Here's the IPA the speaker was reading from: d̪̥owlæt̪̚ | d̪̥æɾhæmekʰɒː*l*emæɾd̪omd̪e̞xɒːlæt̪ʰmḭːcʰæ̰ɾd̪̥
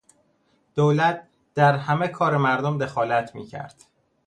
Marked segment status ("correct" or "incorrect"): incorrect